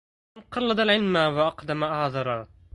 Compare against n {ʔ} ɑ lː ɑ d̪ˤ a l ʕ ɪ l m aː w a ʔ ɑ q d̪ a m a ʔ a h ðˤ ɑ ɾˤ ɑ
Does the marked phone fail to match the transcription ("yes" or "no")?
yes